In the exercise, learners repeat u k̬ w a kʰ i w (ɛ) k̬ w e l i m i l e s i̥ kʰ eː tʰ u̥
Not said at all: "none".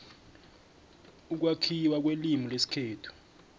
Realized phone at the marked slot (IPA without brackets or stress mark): a